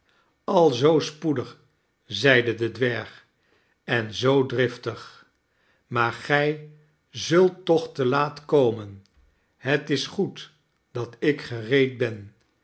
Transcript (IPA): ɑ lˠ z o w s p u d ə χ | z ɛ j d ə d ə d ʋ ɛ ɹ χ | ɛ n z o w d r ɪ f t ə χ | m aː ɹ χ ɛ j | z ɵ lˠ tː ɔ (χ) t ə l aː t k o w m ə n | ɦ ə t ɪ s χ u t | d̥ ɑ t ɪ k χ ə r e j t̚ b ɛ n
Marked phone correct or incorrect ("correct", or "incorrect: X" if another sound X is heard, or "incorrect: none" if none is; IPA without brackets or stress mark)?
correct